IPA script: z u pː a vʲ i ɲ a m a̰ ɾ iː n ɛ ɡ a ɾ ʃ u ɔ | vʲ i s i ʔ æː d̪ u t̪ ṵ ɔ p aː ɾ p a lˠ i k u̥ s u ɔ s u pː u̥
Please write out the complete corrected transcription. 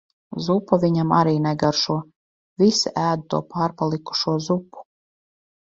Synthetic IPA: z u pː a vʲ i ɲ a m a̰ ɾ iː n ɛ ɡ a ɾ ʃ u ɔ | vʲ i s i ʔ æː d̪ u t̪ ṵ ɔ p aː ɾ p a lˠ i k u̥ ʃ u ɔ z u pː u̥